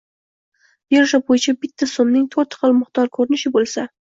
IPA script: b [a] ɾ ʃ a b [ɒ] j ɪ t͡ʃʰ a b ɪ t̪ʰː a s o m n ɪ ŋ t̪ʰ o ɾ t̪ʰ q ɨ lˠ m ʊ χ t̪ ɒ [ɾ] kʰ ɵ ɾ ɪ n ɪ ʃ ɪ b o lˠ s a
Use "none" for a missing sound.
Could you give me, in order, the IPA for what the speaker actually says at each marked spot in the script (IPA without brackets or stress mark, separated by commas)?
e, o, ɾ